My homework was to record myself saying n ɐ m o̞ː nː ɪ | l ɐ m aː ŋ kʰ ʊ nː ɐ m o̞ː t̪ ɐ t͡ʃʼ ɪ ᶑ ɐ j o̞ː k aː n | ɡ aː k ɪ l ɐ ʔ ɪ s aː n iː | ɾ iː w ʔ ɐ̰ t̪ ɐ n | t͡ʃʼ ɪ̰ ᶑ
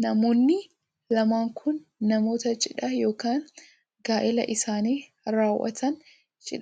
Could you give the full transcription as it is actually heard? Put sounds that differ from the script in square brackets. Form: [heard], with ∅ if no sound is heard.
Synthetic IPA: n ɐ m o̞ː nː ɪ | l ɐ m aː ŋ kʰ ʊ nː ɐ m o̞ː t̪ ɐ t͡ʃʼ ɪ ᶑ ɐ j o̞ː k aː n | ɡ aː [ʔ] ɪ l ɐ ʔ ɪ s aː n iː | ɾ [aː] w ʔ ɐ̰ t̪ ɐ n | t͡ʃʼ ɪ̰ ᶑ